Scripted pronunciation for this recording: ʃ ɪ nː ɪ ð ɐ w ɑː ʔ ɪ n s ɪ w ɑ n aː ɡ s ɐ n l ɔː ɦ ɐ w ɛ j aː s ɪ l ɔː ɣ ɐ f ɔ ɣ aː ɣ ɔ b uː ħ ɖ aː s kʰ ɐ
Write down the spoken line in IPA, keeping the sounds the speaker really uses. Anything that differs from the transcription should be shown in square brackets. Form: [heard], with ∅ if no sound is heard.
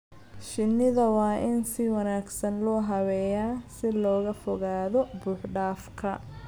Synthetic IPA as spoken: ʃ ɪ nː ɪ ð ɐ w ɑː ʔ ɪ n s ɪ w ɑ n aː ɡ s ɐ n l ɔː ɦ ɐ w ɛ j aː s ɪ l ɔː ɣ ɐ f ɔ ɣ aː [ð] ɔ b uː ħ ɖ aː [f] kʰ ɐ